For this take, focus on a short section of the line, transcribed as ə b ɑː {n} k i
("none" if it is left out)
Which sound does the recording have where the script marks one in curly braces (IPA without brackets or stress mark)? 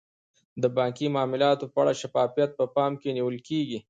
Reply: ŋ